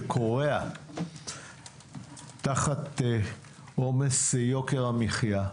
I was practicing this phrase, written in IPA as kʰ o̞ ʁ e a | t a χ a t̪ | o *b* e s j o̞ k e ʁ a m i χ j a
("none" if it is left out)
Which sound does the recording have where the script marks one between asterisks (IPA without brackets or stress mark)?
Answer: m